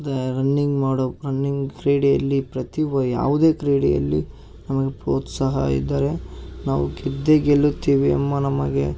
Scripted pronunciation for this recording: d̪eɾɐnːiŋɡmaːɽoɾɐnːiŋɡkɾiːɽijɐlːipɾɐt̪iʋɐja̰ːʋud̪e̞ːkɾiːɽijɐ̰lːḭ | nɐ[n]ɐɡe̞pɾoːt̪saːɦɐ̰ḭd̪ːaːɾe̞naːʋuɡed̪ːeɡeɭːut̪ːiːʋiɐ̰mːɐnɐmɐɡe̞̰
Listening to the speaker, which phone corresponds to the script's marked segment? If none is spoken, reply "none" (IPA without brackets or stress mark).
m